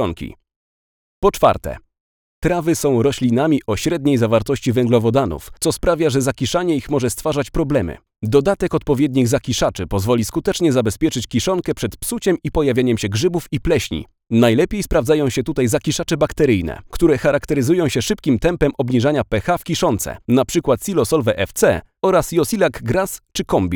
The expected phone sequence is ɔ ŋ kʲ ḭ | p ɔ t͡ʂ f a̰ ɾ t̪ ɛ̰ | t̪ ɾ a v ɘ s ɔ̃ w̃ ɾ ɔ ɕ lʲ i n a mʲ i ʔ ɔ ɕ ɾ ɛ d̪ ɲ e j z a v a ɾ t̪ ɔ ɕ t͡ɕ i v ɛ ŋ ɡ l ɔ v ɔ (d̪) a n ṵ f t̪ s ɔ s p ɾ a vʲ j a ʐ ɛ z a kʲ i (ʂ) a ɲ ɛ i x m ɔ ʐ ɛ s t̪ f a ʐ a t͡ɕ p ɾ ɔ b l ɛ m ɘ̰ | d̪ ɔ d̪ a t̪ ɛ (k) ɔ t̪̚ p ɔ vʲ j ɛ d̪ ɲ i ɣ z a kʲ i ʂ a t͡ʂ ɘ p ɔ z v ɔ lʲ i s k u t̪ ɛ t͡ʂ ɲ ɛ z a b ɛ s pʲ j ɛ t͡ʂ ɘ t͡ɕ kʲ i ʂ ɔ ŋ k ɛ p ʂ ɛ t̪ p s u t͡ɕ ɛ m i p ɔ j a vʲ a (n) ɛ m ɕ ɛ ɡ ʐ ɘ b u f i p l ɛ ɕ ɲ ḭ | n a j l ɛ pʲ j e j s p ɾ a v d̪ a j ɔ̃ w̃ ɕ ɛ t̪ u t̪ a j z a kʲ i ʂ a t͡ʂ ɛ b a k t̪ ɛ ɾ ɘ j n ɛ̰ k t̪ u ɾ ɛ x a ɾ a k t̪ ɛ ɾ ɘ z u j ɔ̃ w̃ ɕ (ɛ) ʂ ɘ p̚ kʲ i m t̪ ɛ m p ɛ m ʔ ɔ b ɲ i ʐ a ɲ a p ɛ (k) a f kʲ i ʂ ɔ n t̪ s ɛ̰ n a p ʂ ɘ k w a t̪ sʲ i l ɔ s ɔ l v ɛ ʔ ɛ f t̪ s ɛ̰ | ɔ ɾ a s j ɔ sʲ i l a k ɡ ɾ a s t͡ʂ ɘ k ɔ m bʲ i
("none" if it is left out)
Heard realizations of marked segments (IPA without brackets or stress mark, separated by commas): d̪, ʂ, k, ɲ, ɛ, x